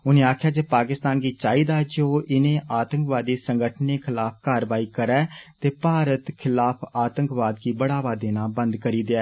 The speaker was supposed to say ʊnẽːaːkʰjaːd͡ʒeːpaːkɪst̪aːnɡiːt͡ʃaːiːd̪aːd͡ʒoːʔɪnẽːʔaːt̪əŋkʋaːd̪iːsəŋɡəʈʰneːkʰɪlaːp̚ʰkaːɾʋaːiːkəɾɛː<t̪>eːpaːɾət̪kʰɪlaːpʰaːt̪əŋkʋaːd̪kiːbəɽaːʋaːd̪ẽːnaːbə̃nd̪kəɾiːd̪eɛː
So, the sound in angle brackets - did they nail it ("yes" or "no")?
yes